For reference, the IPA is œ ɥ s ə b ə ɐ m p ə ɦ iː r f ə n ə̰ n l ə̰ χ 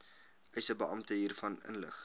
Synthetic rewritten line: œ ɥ s ə b ə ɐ m t ə ɦ iː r f ɐ n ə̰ n l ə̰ χ